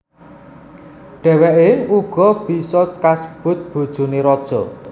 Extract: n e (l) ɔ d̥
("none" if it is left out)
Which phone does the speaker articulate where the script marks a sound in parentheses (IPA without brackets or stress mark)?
ɾ